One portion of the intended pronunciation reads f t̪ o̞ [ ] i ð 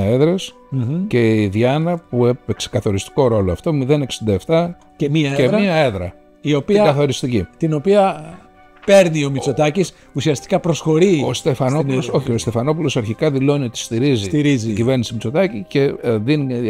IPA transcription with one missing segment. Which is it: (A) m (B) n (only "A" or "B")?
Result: A